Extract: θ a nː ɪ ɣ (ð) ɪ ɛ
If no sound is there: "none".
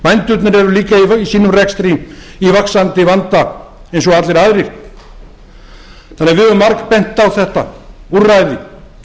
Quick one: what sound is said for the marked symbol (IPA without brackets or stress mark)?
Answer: v